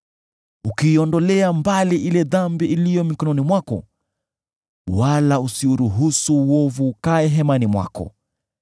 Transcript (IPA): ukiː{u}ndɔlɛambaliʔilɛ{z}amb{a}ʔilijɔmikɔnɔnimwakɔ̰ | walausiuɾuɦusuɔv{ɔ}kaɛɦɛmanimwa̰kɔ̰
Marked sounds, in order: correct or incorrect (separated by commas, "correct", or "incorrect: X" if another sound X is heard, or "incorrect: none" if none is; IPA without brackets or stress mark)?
incorrect: ɔ, incorrect: ð, incorrect: i, incorrect: u